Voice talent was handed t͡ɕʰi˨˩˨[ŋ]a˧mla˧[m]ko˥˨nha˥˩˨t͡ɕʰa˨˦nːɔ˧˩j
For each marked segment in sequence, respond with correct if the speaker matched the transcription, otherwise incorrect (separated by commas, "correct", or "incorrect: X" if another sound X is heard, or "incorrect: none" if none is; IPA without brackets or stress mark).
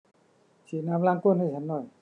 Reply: incorrect: n, incorrect: ŋ